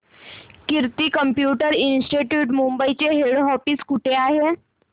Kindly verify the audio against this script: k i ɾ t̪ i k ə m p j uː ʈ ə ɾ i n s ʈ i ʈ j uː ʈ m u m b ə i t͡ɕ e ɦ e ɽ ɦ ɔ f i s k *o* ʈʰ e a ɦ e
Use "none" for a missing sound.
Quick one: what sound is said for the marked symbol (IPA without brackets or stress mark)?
u